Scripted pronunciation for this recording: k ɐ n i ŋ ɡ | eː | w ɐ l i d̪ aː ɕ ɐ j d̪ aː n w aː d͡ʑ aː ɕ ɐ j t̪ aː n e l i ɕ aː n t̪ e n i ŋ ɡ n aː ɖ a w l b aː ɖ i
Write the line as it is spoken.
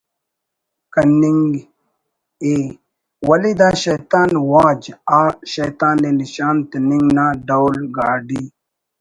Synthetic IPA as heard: k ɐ n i ŋ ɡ | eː | w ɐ l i d̪ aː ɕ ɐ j t̪ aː n w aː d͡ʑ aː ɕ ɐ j t̪ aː n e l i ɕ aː n t̪ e n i ŋ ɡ n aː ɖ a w l ɡ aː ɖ i